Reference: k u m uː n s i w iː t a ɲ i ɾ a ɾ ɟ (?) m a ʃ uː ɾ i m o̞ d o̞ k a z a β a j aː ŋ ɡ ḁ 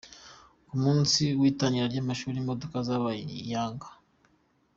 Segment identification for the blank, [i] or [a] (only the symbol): a